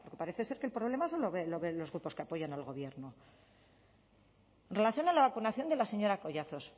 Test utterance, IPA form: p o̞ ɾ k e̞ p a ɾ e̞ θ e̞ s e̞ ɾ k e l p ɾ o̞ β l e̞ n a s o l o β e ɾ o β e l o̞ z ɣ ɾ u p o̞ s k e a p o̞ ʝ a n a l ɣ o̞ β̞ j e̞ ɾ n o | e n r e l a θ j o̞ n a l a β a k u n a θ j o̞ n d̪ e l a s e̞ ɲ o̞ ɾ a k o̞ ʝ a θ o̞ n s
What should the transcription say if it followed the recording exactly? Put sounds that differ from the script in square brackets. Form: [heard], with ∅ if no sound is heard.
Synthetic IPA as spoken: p o̞ ɾ k e̞ p a ɾ e̞ θ e̞ s e̞ ɾ k e l p ɾ o̞ β l e̞ [m] a s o l o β e [l] o β e l o̞ z ɣ ɾ u p o̞ s k e a p o̞ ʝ a n a l ɣ o̞ β̞ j e̞ ɾ n o | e n r e l a θ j o̞ n a l a β a k u n a θ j o̞ n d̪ e l a s e̞ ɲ o̞ ɾ a k o̞ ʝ a θ o̞ [∅] s